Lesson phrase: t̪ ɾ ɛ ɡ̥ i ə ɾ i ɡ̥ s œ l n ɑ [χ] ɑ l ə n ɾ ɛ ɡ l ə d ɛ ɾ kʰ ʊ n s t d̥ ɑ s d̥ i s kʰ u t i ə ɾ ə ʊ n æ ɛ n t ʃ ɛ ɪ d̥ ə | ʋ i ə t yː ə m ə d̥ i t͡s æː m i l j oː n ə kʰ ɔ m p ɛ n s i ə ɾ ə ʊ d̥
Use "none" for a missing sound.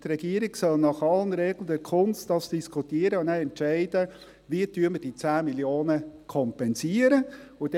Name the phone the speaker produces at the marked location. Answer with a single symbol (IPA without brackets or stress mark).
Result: χ